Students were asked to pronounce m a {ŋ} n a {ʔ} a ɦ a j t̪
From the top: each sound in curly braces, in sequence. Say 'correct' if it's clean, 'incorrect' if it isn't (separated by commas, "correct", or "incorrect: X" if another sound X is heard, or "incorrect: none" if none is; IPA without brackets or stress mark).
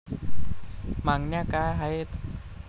correct, incorrect: k